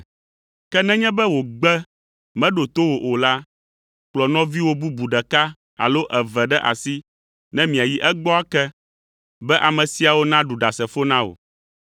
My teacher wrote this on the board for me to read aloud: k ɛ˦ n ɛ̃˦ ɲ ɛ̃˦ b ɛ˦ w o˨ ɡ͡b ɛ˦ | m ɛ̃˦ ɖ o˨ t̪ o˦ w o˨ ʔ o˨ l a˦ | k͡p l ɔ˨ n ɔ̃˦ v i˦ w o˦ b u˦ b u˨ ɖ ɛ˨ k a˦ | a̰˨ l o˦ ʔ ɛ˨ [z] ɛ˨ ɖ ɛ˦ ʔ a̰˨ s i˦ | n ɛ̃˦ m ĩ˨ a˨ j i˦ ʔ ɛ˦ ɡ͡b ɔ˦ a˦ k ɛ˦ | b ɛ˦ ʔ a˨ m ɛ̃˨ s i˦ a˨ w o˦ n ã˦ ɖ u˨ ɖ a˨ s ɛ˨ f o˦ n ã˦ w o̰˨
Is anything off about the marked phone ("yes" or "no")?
yes